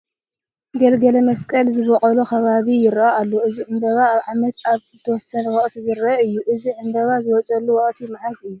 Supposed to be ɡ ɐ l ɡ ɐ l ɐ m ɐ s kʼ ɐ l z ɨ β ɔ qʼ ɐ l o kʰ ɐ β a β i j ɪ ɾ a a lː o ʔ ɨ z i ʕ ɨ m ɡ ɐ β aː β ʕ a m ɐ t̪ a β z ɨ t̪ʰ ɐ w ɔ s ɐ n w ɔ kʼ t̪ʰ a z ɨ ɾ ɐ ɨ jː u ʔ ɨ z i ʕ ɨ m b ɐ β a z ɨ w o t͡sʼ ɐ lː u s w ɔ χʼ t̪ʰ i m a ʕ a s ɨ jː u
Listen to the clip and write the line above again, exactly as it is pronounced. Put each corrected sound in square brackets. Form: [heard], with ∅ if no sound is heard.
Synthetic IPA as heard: ɡ ɐ l ɡ ɐ l ɐ m ɐ s kʼ ɐ l z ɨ β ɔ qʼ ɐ l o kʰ ɐ β a β i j ɪ ɾ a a lː o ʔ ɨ z i ʕ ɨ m [b] ɐ β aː β ʕ a m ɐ t̪ a β z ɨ t̪ʰ ɐ w ɔ s ɐ n w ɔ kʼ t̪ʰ [i] z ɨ ɾ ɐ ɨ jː u ʔ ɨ z i ʕ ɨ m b ɐ β a z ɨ w [ɔ] t͡sʼ ɐ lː u [∅] w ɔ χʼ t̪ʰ i m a ʕ a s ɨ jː u